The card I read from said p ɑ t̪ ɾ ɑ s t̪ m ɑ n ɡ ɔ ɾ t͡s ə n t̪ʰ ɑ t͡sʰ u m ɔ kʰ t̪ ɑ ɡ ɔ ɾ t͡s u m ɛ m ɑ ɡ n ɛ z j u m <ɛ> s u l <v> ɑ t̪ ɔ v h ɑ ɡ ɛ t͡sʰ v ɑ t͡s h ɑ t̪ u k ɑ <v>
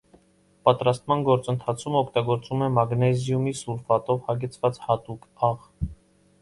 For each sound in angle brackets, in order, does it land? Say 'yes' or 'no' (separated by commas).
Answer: no, no, no